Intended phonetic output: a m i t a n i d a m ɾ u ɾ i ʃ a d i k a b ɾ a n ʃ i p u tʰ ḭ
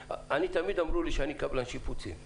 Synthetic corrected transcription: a n i t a m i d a m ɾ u l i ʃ a n i k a b l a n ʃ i p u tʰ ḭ